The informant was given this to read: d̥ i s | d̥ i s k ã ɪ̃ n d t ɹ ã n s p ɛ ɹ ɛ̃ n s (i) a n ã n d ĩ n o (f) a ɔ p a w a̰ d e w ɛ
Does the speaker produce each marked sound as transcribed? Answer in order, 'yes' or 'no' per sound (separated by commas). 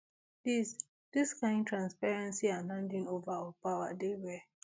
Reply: yes, no